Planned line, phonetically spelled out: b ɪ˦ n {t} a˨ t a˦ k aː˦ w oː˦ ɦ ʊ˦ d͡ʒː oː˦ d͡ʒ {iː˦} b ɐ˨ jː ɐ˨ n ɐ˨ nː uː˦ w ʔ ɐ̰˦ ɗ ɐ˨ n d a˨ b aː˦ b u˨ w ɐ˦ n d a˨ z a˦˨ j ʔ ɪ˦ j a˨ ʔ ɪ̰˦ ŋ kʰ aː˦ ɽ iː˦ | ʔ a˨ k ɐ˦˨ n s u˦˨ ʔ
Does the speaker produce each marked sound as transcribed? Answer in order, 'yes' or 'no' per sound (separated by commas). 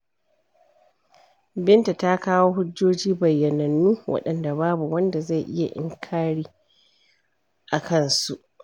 yes, yes